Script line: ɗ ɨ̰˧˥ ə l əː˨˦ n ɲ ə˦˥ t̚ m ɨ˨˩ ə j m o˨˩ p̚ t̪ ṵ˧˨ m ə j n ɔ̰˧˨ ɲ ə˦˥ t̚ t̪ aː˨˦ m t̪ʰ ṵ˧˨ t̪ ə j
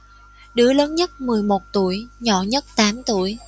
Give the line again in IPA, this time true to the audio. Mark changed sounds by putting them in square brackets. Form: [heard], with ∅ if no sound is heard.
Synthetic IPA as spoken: ɗ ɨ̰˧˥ ə l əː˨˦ n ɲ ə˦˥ t̚ m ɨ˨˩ ə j m o˨˩ [t̚] t̪ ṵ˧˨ [∅] ə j [ɲ] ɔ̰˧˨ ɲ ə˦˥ t̚ t̪ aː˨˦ m [t̪] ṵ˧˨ [∅] ə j